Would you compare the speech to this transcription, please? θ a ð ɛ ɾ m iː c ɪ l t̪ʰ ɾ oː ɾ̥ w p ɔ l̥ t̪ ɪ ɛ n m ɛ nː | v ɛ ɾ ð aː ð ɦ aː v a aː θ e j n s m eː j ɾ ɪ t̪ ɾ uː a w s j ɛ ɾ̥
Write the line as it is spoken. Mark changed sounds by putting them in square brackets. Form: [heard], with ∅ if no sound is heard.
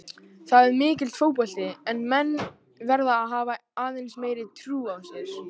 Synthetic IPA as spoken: θ a ð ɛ ɾ m [ɪː] c ɪ l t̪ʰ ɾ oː [∅] w p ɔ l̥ t̪ ɪ ɛ n m ɛ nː | v ɛ ɾ ð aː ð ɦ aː v a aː [ð] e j n s m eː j ɾ ɪ [t̪ʰ] ɾ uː a w s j ɛ ɾ̥